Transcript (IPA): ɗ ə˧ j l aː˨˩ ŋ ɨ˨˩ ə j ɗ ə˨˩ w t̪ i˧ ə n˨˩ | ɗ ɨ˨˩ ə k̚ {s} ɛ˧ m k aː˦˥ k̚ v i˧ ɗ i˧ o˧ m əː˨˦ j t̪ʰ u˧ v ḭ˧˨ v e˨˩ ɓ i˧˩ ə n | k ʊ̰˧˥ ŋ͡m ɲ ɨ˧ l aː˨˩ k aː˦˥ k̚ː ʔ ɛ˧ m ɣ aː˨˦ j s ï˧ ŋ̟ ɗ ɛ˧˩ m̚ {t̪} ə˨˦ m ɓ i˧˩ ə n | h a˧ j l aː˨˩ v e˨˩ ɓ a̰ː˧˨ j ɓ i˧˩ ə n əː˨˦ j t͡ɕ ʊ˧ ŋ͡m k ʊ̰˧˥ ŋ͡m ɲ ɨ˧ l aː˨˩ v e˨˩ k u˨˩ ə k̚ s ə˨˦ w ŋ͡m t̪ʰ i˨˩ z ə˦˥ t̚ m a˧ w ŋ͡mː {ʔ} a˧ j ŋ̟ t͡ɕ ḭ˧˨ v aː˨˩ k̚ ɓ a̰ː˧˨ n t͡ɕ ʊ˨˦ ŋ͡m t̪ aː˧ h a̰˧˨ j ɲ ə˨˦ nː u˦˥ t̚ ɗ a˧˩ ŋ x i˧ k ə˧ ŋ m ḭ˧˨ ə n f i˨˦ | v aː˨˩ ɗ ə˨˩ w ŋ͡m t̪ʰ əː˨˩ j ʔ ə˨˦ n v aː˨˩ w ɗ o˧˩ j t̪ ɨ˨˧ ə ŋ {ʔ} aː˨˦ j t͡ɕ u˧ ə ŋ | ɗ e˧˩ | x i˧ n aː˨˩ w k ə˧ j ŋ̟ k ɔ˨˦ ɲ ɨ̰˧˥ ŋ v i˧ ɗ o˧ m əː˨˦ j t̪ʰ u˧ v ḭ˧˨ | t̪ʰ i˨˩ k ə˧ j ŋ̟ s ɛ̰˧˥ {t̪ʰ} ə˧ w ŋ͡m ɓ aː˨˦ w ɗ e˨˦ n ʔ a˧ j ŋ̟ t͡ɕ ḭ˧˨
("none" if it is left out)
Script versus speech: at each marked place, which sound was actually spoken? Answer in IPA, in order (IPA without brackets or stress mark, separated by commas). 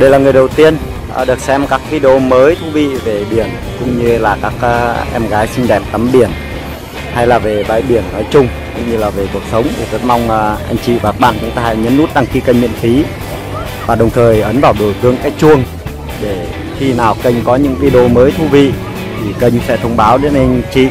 s, t̪, ʔ, k, t̪ʰ